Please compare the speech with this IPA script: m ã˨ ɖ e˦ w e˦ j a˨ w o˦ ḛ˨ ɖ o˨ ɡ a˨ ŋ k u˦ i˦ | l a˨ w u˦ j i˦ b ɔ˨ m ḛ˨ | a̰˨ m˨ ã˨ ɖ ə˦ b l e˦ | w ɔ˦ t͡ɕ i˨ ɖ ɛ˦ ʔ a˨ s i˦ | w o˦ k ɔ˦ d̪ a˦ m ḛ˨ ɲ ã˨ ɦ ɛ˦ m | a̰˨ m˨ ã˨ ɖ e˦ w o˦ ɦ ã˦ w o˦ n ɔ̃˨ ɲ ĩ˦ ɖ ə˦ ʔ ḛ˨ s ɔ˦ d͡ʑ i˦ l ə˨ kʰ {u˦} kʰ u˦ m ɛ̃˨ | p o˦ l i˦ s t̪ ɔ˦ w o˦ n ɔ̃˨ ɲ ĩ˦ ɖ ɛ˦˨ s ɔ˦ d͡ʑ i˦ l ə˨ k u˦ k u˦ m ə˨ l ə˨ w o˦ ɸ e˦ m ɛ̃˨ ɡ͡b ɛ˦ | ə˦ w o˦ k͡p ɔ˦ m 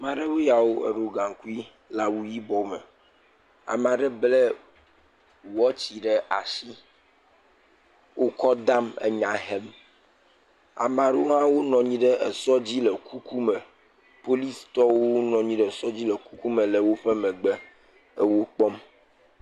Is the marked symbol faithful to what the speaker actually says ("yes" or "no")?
yes